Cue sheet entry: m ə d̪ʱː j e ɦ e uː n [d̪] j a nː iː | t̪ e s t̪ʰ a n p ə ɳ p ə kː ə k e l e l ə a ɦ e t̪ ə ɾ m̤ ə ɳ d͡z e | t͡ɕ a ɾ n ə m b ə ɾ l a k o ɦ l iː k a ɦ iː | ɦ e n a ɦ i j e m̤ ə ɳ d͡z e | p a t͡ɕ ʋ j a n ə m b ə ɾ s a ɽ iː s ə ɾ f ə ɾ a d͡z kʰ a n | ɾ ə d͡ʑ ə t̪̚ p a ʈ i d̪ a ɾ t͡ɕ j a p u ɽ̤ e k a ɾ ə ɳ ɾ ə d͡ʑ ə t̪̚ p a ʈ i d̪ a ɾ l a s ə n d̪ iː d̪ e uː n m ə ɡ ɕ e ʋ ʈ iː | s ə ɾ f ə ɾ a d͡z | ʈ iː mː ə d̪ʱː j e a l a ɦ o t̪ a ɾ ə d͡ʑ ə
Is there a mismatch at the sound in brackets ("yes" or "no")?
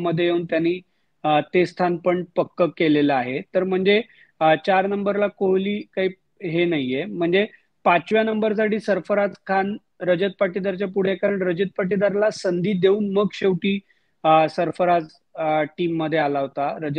yes